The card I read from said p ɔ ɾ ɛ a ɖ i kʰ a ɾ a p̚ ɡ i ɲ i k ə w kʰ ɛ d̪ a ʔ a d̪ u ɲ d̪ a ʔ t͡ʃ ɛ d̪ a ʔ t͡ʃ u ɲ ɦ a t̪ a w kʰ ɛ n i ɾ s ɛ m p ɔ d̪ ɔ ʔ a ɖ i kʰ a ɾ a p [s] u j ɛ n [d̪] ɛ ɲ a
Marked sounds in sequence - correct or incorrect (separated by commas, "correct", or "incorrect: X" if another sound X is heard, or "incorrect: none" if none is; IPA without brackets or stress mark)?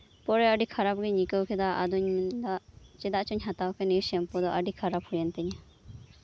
incorrect: h, incorrect: t̪